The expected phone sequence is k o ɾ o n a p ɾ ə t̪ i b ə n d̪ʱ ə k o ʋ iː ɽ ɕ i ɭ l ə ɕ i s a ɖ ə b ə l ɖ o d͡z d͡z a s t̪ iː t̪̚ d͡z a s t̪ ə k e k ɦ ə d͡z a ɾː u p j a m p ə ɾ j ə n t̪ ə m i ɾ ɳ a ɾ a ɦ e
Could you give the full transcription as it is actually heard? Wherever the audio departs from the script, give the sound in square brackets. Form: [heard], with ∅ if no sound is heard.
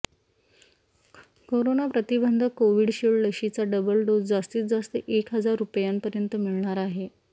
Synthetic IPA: k o ɾ o n a p ɾ ə t̪ i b ə n d̪ʱ ə k o ʋ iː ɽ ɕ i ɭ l ə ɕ i [t͡s] a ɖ ə b ə l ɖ o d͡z d͡z a s t̪ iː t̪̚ d͡z a s t̪ ə [ʔ] e k ɦ ə d͡z a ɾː u p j a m p ə ɾ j ə n t̪ ə m i [ɭ] ɳ a ɾ a ɦ e